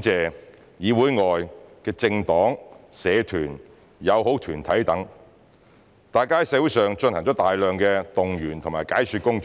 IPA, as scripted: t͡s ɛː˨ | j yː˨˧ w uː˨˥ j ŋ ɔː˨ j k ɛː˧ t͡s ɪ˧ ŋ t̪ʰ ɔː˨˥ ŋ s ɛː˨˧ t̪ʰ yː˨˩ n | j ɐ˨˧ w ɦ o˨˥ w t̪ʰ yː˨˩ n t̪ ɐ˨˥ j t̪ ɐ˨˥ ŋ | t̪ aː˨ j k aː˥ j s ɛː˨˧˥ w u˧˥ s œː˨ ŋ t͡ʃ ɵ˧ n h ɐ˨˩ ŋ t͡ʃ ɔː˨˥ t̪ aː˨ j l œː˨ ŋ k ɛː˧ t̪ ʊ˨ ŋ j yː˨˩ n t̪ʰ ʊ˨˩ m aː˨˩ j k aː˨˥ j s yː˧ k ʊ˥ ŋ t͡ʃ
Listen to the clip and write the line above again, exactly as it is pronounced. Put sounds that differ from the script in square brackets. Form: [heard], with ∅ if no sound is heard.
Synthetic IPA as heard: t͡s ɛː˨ | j [iː˨˧] w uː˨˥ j ŋ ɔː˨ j k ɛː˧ t͡s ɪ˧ ŋ [t̪] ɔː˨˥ ŋ s ɛː˨˧ t̪ʰ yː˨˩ n | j ɐ˨˧ w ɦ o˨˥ w t̪ʰ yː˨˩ n [t̪ʰ] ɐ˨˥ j t̪ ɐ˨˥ ŋ | t̪ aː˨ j k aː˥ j s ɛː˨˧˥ w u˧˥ s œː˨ ŋ t͡ʃ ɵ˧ n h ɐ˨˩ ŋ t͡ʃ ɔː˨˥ t̪ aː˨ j l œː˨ ŋ k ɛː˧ t̪ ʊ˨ ŋ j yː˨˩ n t̪ʰ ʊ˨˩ m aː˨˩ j k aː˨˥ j s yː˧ k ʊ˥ ŋ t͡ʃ

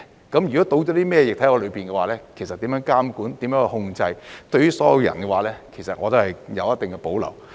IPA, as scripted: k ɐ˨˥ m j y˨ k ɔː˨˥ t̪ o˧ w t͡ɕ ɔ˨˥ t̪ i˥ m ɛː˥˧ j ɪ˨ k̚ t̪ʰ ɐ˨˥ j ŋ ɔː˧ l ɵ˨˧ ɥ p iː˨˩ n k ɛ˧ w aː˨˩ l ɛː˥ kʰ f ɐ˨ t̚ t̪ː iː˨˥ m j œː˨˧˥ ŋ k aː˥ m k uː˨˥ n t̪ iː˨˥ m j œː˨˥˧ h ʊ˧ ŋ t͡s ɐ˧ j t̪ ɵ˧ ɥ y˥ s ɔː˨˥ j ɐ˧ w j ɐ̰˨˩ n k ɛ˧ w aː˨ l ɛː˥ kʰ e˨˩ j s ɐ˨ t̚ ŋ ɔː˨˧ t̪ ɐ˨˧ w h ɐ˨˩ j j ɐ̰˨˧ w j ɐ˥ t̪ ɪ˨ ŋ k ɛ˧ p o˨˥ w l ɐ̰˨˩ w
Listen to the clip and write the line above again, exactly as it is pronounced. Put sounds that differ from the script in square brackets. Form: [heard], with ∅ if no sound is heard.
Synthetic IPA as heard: k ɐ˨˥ m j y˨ k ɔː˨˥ t̪ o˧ w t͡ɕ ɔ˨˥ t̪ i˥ m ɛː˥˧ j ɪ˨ k̚ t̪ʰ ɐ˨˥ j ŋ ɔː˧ l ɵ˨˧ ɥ p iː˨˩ n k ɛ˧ w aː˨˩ l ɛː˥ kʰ [s] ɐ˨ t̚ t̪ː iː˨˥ m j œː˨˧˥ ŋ k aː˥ m k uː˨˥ n t̪ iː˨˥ m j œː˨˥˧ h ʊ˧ ŋ t͡s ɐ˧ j t̪ ɵ˧ ɥ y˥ s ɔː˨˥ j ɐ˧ w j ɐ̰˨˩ n k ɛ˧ w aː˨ l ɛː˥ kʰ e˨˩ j s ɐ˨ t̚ ŋ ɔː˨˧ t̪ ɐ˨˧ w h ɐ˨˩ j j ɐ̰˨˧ w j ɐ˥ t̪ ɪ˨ ŋ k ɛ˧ p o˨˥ w l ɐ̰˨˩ w

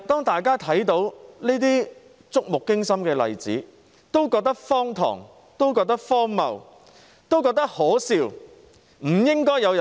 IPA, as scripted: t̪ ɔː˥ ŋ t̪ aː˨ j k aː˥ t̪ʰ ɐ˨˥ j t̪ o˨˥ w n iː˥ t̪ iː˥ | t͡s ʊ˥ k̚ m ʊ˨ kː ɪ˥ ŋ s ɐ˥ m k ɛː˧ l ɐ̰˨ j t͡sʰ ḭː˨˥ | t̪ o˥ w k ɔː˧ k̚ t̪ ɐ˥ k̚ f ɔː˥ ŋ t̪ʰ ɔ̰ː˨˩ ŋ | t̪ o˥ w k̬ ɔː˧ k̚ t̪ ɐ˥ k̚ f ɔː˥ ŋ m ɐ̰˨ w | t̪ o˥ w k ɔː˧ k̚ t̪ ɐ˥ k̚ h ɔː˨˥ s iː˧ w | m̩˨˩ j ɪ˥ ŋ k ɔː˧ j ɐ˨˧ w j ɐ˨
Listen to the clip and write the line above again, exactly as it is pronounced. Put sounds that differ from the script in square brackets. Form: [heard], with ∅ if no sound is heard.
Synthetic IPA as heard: t̪ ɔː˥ ŋ t̪ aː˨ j k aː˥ t̪ʰ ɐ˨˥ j t̪ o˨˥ w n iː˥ t̪ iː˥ | t͡s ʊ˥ k̚ m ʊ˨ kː ɪ˥ ŋ s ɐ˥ m k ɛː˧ l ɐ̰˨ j [t͡s] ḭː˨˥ | t̪ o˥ w k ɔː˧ k̚ t̪ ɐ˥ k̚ f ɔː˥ ŋ t̪ʰ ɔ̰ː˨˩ ŋ | t̪ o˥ w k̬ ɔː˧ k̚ t̪ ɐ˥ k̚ f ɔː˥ ŋ m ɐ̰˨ w | t̪ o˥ w k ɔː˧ k̚ t̪ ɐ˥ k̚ h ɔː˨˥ s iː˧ w | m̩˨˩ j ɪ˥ ŋ k [ɔː˥] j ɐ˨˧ w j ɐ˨

